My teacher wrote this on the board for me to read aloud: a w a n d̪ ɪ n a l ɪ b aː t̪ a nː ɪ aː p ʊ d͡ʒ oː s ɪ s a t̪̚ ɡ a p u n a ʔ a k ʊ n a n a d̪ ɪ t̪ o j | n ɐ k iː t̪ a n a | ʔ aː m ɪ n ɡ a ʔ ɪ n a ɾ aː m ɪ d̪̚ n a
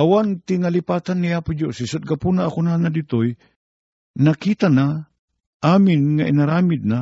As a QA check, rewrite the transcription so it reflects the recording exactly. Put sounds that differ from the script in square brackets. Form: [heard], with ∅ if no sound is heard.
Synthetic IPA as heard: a w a n [t̪] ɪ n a l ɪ [p] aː t̪ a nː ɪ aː p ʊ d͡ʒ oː s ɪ s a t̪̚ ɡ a p u n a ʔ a k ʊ n a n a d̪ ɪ t̪ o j | n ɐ k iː t̪ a n a | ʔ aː m ɪ n [ŋ] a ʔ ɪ n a ɾ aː m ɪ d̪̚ n a